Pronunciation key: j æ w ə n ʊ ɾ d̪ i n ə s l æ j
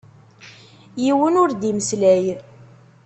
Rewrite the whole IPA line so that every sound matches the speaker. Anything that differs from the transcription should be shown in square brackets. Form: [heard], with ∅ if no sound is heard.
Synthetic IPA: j [i] w ə n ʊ ɾ d̪ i [m] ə s l æ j